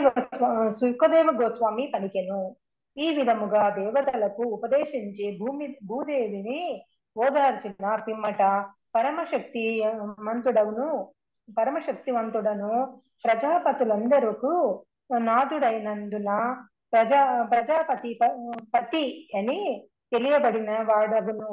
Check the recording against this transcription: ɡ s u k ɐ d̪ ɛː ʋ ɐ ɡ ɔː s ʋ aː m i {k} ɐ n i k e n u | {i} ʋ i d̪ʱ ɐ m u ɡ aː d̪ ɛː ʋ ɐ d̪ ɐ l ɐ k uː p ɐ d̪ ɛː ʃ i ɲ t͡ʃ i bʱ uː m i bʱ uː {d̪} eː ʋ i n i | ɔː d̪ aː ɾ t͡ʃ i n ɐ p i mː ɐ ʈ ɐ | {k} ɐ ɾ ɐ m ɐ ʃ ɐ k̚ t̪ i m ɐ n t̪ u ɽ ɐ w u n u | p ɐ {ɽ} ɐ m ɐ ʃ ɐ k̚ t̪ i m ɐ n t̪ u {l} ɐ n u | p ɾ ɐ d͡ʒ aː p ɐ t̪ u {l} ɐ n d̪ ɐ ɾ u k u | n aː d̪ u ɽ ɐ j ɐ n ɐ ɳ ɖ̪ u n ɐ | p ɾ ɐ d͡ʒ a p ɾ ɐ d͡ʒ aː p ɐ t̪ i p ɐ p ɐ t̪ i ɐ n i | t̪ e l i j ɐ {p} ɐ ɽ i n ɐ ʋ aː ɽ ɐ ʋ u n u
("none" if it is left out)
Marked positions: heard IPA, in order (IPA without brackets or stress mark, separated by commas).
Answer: p, iː, d̪, p, ɾ, ɽ, l, b